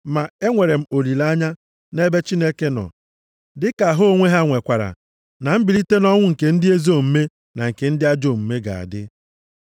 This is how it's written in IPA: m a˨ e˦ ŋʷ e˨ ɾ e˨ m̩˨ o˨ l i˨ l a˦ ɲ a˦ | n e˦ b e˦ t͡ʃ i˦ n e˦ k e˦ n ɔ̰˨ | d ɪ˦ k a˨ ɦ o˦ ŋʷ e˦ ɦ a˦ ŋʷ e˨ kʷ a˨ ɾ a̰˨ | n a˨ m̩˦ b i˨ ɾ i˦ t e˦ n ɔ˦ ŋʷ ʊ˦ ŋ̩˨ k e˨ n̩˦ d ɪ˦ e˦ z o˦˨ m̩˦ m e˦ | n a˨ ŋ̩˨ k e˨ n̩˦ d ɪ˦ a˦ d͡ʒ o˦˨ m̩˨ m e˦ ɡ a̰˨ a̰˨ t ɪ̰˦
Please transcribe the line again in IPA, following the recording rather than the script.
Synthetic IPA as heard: m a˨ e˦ ŋʷ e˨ ɾ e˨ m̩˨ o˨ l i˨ l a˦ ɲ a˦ | n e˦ b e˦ t͡ʃ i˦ n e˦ k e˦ n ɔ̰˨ | d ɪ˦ k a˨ ɦ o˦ ŋʷ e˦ ɦ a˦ ŋʷ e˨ kʷ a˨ ɾ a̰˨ | n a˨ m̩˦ b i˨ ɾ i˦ t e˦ n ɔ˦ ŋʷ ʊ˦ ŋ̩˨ k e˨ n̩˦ d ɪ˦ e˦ z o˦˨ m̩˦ m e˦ | n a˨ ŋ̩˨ k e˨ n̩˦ d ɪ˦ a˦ d͡ʒ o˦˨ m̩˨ m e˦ ɡ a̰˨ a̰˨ d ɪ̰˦